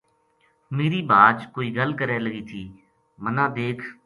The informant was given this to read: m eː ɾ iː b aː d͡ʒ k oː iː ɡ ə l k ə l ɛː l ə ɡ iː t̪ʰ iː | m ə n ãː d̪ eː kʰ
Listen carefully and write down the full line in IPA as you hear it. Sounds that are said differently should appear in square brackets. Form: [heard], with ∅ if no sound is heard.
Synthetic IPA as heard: m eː ɾ iː b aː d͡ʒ k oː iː ɡ ə l k ə [ɾ] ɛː l ə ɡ iː t̪ʰ iː | m ə n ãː d̪ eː kʰ